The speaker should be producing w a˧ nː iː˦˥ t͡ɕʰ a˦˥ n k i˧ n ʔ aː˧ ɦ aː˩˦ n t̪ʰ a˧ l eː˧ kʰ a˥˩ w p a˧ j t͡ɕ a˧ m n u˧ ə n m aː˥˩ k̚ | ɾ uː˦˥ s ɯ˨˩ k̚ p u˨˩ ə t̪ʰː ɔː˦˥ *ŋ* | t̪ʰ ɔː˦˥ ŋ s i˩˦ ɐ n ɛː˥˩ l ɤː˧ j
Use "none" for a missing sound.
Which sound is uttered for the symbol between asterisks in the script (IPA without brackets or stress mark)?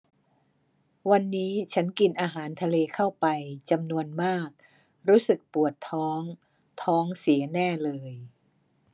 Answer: ŋ